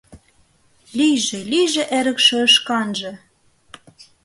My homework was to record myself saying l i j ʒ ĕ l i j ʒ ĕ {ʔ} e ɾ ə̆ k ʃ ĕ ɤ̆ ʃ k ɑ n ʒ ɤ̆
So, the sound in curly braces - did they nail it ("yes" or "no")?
yes